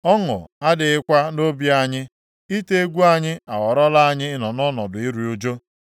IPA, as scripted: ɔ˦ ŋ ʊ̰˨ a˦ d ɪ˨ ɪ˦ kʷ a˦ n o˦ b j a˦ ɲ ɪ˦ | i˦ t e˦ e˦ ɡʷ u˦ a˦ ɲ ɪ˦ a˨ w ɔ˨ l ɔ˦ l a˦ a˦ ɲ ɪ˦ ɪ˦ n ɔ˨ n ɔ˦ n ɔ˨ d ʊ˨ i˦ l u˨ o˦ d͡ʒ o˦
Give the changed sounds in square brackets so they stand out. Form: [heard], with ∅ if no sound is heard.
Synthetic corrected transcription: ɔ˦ ŋ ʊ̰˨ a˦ d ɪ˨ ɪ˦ kʷ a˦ n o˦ b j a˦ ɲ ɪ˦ | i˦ t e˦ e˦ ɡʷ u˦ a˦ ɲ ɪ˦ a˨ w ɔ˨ [ɾ] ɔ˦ l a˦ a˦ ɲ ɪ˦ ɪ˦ n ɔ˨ n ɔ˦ n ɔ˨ d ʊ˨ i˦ [ɾ] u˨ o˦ d͡ʒ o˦